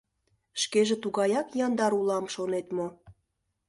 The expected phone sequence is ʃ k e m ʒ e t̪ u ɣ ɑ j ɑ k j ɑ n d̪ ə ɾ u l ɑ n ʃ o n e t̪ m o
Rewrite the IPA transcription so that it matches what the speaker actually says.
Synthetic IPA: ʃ k e ʒ e t̪ u ɣ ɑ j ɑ k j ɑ n d̪ ɑ ɾ u l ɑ m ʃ o n e t̪ m o